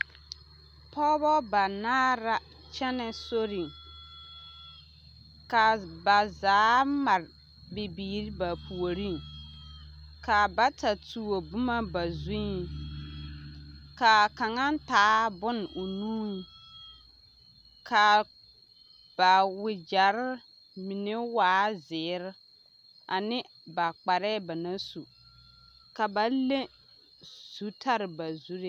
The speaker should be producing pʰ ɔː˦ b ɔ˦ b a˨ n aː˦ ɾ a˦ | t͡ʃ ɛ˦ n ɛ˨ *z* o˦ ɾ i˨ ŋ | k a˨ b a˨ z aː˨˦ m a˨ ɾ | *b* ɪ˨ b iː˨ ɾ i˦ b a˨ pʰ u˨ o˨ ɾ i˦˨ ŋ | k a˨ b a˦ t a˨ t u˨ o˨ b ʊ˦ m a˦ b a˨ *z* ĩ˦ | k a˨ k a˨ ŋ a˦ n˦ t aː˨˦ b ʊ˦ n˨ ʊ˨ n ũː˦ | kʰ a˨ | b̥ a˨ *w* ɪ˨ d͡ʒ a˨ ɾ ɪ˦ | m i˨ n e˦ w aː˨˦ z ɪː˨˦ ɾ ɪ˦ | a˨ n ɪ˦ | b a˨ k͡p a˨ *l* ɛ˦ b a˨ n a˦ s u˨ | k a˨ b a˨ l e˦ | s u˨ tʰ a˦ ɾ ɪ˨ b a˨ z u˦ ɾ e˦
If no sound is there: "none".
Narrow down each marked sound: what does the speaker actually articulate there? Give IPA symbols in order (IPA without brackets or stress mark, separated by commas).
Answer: s, b, z, w, ɾ